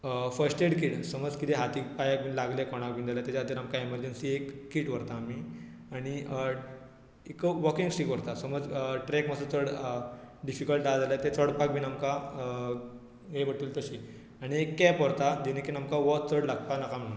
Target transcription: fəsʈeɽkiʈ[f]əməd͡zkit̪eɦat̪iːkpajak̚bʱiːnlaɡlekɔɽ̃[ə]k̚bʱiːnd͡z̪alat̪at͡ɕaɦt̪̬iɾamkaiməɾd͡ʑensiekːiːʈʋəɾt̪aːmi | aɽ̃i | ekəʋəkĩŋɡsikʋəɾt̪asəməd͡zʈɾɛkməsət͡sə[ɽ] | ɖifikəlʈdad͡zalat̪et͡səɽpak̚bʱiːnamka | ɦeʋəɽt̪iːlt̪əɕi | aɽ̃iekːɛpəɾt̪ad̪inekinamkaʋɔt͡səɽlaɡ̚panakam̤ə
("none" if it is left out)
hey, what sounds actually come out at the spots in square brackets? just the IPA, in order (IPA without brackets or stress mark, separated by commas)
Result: s, a, ɽ